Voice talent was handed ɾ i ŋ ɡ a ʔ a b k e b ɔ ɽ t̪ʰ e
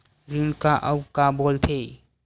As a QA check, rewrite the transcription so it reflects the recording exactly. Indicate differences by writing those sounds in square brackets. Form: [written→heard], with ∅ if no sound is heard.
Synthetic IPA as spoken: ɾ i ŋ [ɡ→k] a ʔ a [b→w] k [e→a] b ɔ [ɽ→l] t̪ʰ e